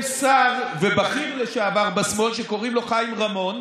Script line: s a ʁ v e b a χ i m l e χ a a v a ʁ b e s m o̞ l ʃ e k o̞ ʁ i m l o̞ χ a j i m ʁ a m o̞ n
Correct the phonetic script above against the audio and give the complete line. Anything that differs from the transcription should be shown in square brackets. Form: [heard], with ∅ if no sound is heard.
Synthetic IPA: s a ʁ v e b a χ i m l e [ʃ] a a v a ʁ b [a] s m o̞ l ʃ e k o̞ ʁ i m l o̞ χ a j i m ʁ a m o̞ n